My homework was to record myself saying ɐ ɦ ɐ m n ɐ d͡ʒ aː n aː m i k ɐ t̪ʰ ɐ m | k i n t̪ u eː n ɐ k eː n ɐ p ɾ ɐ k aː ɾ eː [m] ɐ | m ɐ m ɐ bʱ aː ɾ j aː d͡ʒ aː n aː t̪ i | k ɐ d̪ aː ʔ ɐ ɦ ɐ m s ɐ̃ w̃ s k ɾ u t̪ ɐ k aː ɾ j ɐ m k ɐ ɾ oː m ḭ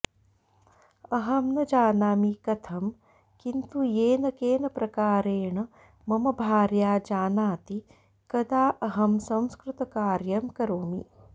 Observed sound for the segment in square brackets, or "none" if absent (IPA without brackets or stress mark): ɳ